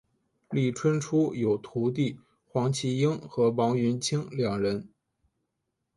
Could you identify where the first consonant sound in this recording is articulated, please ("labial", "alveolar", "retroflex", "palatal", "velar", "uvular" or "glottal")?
alveolar